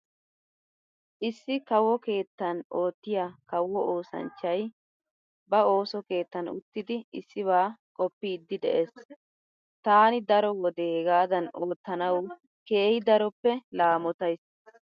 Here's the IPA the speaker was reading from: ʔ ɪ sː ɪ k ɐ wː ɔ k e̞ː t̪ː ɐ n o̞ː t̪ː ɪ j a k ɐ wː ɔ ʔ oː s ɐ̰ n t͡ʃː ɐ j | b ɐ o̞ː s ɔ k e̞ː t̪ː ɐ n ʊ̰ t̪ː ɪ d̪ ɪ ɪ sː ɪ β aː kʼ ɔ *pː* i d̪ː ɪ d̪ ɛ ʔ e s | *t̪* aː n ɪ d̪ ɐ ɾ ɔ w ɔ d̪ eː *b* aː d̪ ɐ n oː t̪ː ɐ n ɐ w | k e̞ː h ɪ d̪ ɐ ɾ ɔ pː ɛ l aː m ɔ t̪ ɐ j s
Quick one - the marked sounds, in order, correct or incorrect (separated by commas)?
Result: correct, correct, incorrect